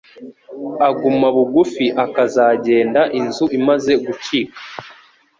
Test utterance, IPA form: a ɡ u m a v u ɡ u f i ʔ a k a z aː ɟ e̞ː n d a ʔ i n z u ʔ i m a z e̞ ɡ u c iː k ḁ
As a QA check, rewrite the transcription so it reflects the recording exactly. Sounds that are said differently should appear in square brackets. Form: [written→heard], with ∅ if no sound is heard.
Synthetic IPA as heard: a ɡ u m a [v→β] u ɡ u f i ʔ a k a z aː ɟ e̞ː n d a ʔ i n z u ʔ i m a z e̞ ɡ u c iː k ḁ